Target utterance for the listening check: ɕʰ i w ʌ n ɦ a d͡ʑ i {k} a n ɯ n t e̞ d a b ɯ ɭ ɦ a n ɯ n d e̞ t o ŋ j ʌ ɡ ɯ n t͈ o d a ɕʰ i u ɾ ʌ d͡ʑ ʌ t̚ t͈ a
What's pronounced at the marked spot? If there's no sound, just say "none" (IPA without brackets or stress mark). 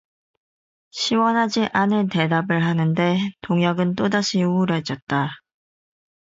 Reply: ʔ